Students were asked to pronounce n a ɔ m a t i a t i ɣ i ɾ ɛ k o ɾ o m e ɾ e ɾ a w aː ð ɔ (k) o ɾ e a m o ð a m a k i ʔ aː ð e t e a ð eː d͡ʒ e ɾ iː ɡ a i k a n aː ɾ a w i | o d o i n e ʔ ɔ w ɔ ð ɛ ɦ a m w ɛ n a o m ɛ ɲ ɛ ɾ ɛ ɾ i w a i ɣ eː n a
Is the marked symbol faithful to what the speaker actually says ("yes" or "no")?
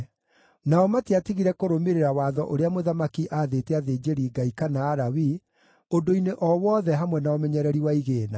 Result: no